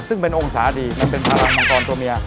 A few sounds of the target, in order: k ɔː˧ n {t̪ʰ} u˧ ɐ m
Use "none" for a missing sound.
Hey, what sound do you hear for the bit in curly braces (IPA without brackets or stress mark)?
t̪